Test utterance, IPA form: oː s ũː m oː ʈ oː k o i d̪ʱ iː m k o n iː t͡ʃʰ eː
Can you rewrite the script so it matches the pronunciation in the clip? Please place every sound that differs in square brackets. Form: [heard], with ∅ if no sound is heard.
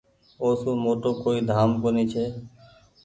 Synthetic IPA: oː s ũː m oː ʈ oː k o i d̪ʱ [aː] m k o n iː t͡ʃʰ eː